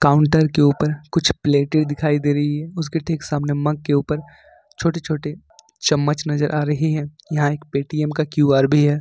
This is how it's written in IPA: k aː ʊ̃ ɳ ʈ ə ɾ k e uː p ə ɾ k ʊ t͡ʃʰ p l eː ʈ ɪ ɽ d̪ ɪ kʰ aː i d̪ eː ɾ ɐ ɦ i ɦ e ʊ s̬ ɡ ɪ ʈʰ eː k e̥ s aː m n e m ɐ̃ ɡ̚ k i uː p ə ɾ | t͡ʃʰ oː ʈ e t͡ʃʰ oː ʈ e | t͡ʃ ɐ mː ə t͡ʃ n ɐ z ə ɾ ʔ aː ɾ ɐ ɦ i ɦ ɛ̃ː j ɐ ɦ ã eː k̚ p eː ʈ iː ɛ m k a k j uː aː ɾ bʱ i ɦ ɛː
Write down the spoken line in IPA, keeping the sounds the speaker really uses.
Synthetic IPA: k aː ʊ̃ ɳ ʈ ə ɾ k e uː p ə ɾ k ʊ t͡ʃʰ p l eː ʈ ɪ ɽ d̪ ɪ kʰ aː i d̪ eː ɾ ɐ ɦ i ɦ ɛ ʊ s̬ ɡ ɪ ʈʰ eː k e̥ s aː m n e m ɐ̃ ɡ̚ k e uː p ə ɾ | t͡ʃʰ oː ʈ e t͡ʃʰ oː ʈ e | t͡ʃ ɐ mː ə t͡ʃ n ɐ z ə ɾ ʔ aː ɾ ɐ ɦ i ɦ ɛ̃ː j ɐ ɦ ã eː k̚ p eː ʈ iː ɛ m k a k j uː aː ɾ bʱ i ɦ ɛː